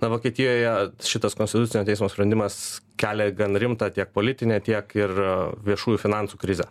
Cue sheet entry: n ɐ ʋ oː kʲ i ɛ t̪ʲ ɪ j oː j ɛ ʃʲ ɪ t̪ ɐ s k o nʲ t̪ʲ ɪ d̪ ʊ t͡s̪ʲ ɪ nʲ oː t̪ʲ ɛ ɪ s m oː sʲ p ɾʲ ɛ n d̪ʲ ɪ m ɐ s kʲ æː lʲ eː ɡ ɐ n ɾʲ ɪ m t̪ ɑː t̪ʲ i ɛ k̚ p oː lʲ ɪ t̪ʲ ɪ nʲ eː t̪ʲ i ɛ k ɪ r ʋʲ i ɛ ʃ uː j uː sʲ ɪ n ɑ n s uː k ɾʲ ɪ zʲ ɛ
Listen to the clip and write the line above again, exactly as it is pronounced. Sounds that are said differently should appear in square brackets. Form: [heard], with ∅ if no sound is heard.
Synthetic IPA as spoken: n ɐ ʋ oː kʲ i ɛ t̪ʲ ɪ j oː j ɛ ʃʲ ɪ t̪ ɐ s k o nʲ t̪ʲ ɪ [t̪] ʊ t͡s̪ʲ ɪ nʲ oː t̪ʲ ɛ ɪ s m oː sʲ p ɾʲ ɛ n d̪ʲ ɪ m ɐ s kʲ æː lʲ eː ɡ ɐ n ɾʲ ɪ m t̪ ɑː t̪ʲ i ɛ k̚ p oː lʲ ɪ t̪ʲ ɪ nʲ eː t̪ʲ i ɛ k ɪ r ʋʲ i ɛ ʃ uː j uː [fʲ] ɪ n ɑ n s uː k ɾʲ ɪ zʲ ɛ